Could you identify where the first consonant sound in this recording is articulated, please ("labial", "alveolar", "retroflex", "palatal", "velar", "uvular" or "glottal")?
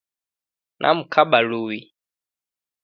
alveolar